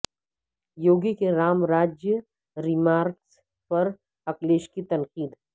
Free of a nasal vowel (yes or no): yes